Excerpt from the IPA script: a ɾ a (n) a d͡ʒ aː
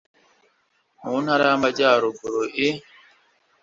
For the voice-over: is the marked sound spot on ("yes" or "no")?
no